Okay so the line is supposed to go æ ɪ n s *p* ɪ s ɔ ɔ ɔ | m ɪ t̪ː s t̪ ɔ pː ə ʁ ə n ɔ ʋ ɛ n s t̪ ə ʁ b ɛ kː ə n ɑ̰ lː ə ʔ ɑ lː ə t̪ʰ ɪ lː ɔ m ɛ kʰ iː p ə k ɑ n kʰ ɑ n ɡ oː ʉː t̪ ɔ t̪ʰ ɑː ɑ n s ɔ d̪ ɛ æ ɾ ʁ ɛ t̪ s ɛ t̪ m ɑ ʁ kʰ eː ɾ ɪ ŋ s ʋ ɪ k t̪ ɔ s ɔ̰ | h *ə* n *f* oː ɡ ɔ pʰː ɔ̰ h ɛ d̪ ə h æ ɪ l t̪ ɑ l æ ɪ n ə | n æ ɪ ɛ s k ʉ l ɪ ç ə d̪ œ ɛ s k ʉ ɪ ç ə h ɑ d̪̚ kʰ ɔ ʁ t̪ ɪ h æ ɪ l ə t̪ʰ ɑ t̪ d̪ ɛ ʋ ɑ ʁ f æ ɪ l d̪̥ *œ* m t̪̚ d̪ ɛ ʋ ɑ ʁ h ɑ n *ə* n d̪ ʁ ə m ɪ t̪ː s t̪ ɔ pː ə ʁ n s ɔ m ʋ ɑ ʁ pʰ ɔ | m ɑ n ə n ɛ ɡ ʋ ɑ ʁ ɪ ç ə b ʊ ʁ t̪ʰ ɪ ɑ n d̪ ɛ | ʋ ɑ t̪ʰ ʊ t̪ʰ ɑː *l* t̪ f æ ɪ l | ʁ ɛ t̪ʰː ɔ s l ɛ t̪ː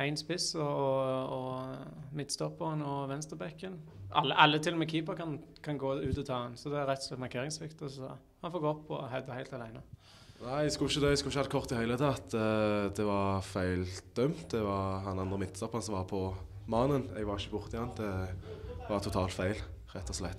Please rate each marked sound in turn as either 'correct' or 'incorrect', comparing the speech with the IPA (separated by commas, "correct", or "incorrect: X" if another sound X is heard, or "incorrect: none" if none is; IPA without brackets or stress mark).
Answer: correct, incorrect: ɑ, correct, correct, incorrect: ɑ, correct